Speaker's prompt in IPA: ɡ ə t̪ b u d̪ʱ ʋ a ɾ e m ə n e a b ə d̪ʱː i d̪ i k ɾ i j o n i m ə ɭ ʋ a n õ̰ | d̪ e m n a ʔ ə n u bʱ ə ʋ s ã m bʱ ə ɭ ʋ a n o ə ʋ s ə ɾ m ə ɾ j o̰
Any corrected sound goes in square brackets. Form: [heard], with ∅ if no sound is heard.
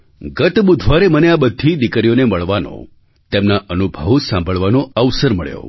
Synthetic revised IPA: ɡ ə t̪ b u d̪ʱ ʋ a ɾ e m ə n e a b ə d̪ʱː i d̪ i k ɾ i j o n [e] m ə ɭ ʋ a n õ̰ | [t̪] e m n a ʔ ə n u bʱ ə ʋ s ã m bʱ ə ɭ ʋ a n o ə ʋ s ə ɾ m ə [ɭ] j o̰